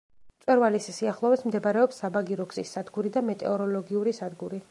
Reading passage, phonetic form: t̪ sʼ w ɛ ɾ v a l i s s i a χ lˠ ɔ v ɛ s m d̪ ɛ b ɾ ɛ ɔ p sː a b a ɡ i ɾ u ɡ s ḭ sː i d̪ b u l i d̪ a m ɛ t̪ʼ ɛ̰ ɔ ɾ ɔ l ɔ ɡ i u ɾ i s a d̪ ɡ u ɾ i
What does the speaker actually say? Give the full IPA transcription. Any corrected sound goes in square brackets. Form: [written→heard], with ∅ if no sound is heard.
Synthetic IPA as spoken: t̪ sʼ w ɛ ɾ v a l i s s i a χ lˠ ɔ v ɛ s m d̪ ɛ b ɾ ɛ ɔ p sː a b a ɡ i ɾ [u→ɔ] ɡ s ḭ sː [i→a] d̪ [b→ɡ] u [l→ɾ] i d̪ a m ɛ t̪ʼ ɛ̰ ɔ ɾ ɔ l ɔ ɡ i u ɾ i s a d̪ ɡ u ɾ i